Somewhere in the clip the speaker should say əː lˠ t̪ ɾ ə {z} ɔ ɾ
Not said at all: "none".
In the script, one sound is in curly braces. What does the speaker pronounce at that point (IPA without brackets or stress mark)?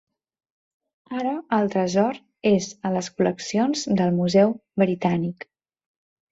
z